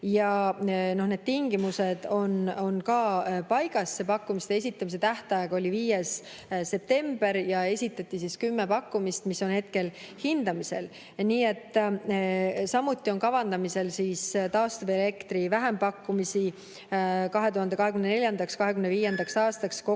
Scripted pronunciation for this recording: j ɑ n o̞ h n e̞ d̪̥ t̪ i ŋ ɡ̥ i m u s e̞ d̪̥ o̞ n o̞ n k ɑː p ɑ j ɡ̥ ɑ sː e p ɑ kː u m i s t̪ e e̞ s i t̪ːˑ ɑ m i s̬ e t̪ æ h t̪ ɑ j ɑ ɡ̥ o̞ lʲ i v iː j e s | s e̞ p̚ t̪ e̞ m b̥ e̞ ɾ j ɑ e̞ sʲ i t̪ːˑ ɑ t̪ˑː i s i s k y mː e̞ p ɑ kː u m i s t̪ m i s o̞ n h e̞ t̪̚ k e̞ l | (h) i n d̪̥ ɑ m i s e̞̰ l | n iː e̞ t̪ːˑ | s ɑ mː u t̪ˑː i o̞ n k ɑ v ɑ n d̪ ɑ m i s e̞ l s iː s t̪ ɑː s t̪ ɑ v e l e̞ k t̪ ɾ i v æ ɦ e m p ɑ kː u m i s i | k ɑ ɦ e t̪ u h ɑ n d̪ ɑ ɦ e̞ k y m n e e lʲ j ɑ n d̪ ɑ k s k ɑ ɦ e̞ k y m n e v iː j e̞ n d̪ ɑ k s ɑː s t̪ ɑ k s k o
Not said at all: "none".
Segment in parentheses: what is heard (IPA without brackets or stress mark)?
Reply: h